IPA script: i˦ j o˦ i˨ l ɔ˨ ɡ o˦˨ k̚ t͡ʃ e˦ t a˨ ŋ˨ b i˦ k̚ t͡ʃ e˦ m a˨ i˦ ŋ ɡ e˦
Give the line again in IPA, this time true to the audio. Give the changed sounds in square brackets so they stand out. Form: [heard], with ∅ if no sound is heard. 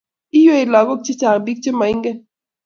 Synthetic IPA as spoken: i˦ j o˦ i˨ l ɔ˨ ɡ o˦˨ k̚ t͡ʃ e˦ [t͡ʃ] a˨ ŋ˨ b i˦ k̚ t͡ʃ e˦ m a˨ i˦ ŋ ɡ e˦